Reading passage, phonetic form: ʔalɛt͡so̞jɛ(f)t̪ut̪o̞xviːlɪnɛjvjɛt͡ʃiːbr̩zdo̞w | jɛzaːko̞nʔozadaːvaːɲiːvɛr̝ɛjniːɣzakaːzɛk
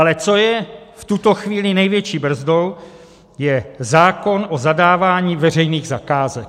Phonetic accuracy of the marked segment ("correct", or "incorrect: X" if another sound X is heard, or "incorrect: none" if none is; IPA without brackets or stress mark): correct